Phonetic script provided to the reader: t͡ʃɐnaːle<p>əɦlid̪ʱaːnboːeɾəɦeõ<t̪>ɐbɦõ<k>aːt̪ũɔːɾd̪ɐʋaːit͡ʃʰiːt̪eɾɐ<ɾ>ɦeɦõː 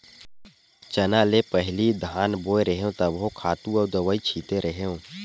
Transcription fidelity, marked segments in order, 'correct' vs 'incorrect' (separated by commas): correct, correct, incorrect, incorrect